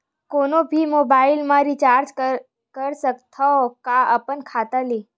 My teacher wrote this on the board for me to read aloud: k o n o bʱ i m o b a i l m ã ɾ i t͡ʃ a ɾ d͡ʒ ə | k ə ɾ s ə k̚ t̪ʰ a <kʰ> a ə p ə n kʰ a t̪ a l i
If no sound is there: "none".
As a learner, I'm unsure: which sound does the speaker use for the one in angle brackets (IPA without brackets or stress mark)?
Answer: k